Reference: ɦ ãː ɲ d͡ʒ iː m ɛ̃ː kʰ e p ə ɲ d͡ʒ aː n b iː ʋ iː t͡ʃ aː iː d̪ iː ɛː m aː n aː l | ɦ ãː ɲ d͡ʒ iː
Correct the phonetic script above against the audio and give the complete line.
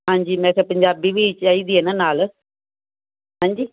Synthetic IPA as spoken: ɦ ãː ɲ d͡ʒ iː m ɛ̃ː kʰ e p ə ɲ d͡ʒ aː b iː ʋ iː t͡ʃ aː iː d̪ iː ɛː n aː n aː l | ɦ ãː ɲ d͡ʒ iː

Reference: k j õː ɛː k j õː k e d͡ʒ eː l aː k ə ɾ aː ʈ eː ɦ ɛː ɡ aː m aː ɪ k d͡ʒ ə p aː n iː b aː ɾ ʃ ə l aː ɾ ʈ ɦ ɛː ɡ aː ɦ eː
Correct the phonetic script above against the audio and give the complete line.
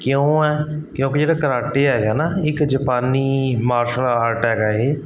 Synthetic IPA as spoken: k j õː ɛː k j õː k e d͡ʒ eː ɽ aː k ə ɾ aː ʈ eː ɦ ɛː ɡ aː n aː ɪ k d͡ʒ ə p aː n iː m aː ɾ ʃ ə l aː ɾ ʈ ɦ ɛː ɡ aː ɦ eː

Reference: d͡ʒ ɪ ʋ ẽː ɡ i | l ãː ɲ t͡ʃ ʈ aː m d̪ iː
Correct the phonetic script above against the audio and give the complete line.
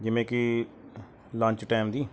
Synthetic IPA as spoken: d͡ʒ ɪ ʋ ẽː k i | l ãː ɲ t͡ʃ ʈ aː m d̪ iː

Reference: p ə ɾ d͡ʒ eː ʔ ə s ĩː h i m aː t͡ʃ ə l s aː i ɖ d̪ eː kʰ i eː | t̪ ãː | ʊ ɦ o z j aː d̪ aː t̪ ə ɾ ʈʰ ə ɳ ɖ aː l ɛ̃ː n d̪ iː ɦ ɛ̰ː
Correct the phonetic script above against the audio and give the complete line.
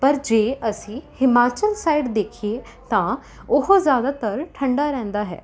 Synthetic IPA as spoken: p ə ɾ d͡ʒ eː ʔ ə s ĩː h ɪ m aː t͡ʃ ə l s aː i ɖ d̪ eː kʰ i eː | t̪ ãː | ʊ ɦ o z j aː d̪ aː t̪ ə ɾ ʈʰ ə ɳ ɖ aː ɾ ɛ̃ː n d̪ aː ɦ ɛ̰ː

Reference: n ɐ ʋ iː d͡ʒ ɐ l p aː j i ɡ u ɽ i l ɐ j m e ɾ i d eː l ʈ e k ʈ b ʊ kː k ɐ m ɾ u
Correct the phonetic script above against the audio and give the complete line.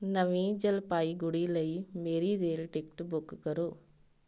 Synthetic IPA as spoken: n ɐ ʋ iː d͡ʒ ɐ l p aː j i ɡ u ɽ i l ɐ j m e ɾ i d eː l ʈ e k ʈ b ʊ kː k ɐ ɾ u

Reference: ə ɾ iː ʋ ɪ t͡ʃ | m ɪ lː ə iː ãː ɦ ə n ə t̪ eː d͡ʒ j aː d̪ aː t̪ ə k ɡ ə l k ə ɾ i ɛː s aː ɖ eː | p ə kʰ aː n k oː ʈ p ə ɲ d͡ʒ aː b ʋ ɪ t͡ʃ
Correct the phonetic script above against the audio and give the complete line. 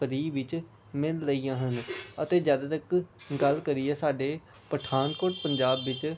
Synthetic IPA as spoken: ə ɾ iː ʋ ɪ t͡ʃ | m ɪ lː ə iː ãː ɦ ə n ə t̪ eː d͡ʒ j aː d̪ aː t̪ ə k ɡ ə l k ə ɾ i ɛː s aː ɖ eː | p ə ʈʰ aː n k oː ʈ p ə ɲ d͡ʒ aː b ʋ ɪ t͡ʃ

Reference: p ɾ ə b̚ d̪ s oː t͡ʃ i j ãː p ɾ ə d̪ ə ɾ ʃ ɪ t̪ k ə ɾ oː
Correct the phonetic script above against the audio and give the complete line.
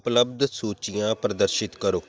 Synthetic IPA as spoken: p l ə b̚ d̪ s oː t͡ʃ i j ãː p ɾ ə d̪ ə ɾ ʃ ɪ t̪ k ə ɾ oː

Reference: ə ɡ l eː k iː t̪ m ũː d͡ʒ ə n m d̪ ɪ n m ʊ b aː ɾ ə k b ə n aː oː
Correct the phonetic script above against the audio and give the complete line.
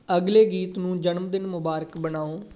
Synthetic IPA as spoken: ə ɡ l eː ɡ iː t̪ n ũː d͡ʒ ə n m d̪ ɪ n m ʊ b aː ɾ ə k b ə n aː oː

